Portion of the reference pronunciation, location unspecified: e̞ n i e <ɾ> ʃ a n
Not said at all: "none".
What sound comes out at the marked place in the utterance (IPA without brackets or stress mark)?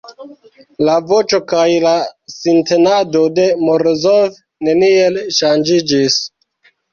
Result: l